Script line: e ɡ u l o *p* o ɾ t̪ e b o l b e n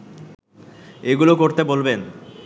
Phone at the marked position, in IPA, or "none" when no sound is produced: k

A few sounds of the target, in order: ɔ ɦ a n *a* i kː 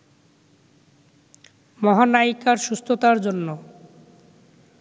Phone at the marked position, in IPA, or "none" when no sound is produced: a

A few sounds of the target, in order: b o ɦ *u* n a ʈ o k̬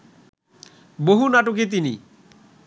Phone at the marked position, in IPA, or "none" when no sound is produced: u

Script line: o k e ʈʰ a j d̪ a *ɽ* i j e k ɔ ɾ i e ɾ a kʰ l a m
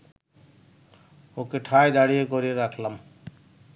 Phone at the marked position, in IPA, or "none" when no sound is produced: ɽ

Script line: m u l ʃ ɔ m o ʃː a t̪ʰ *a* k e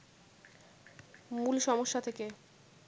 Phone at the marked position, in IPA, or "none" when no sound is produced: e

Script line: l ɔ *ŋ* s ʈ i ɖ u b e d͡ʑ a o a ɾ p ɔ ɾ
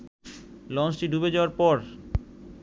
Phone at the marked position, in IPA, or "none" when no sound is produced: n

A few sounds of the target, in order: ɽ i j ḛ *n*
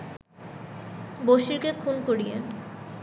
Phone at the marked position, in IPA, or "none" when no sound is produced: none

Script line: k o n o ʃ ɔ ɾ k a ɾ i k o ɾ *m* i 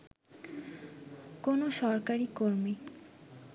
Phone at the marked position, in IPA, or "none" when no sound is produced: m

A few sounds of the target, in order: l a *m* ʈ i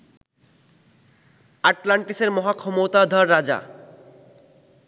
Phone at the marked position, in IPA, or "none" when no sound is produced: ɳ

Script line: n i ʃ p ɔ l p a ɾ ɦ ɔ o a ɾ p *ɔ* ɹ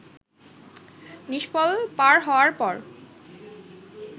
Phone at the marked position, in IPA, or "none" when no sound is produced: ɔ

